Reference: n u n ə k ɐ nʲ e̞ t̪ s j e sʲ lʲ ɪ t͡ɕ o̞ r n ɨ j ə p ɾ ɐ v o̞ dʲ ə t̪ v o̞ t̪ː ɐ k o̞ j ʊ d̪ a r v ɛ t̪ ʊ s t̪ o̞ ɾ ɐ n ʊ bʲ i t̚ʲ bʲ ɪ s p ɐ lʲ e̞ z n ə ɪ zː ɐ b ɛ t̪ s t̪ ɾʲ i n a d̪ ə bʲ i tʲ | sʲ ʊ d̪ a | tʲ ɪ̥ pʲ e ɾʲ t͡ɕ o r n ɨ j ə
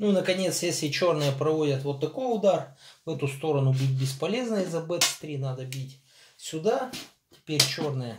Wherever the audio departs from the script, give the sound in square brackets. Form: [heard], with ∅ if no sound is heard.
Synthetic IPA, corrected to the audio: n u n ə k ɐ nʲ e̞ t̪ s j e sʲ lʲ ɪ t͡ɕ o̞ r n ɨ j ə p ɾ ɐ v o̞ dʲ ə t̪ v o̞ t̪ː ɐ k o̞ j ʊ d̪ a r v ɛ t̪ ʊ s t̪ o̞ ɾ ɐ n ʊ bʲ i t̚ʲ bʲ ɪ s p ɐ lʲ e̞ z n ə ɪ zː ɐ b ɛ t̪ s t̪ ɾʲ i n a d̪ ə bʲ i tʲ | sʲ ʊ d̪ a | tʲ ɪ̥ pʲ e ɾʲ t͡ɕ o r n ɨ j ə